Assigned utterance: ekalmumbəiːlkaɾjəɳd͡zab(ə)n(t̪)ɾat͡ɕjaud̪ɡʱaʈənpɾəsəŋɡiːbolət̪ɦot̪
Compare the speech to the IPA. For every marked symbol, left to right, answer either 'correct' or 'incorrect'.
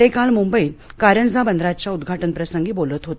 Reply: correct, incorrect: d̪

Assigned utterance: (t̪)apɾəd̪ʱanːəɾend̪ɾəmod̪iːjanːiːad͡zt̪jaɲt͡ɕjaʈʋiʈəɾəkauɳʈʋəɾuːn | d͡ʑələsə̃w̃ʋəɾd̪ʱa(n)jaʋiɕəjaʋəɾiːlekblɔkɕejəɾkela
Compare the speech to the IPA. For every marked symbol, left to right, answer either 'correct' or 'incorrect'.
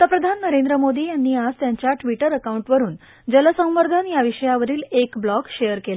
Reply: correct, correct

